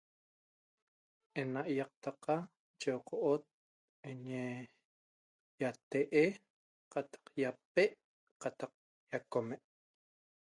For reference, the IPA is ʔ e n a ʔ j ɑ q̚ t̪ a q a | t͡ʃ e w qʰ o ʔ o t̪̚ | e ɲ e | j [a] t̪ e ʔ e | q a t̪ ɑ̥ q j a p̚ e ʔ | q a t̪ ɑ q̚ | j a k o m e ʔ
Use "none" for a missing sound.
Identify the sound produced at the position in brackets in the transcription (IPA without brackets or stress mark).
a